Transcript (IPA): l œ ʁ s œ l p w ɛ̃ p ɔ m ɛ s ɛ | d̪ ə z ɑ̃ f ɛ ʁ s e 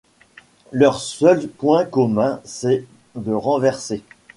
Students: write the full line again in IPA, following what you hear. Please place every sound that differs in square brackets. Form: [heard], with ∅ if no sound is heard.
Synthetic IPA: l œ ʁ s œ l p w ɛ̃ [k] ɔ m [ɛ̃] s ɛ | d̪ ə [ʁ] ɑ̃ [v] ɛ ʁ s e